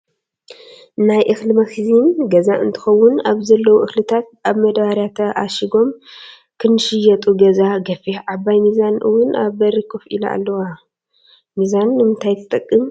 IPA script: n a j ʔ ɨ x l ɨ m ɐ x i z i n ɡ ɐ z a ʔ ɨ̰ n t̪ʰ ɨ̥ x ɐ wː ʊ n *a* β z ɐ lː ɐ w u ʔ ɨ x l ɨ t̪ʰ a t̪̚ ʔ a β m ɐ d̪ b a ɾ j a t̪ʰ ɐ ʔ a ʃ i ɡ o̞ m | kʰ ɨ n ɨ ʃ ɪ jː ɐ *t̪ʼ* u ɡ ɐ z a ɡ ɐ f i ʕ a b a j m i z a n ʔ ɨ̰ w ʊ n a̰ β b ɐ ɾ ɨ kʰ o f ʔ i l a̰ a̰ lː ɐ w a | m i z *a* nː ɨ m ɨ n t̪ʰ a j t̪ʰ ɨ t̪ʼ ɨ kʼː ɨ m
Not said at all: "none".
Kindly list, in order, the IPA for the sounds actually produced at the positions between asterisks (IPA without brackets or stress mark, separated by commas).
a, t̪ʼ, a